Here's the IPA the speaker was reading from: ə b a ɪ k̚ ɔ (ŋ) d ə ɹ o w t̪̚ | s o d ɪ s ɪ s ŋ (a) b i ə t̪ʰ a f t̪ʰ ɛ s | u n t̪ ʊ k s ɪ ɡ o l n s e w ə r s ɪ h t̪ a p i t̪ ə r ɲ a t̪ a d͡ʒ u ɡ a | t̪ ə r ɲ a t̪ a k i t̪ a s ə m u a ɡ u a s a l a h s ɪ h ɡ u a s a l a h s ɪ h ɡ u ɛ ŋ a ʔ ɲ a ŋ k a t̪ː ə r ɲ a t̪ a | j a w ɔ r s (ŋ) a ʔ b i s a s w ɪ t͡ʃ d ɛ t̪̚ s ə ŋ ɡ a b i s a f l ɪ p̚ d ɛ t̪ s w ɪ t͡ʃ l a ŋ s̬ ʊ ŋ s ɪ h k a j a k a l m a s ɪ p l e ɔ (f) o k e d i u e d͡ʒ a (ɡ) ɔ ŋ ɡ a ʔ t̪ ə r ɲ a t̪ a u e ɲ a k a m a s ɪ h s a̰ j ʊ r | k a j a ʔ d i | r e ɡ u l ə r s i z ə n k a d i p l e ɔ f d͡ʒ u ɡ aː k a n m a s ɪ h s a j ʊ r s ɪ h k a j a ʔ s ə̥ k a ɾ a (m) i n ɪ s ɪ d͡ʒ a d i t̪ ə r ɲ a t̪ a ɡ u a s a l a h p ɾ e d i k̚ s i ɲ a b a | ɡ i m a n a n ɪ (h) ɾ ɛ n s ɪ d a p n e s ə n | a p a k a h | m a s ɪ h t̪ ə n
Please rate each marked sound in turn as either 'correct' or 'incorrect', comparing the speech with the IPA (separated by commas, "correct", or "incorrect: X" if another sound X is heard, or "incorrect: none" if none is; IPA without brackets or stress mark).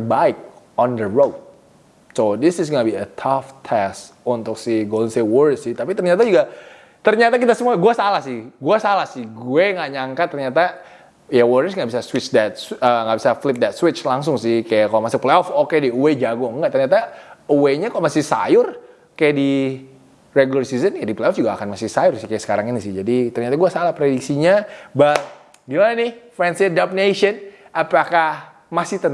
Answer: incorrect: n, correct, correct, correct, correct, incorrect: ŋ, incorrect: f